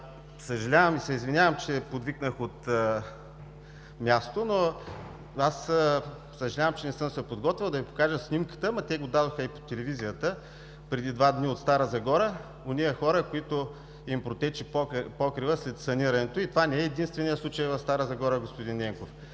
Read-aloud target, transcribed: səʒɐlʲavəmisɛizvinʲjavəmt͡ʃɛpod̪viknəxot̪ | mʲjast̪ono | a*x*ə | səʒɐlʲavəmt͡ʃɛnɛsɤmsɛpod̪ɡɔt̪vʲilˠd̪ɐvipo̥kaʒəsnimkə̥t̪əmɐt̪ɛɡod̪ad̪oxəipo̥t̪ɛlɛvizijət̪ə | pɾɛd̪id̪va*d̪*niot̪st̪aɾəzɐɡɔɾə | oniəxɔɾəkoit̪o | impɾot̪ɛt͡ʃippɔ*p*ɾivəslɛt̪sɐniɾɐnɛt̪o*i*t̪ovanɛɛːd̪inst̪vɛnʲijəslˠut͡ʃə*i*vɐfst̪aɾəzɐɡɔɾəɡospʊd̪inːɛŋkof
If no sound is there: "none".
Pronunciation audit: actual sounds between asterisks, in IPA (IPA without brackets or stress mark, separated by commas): s, d̪, k, i, j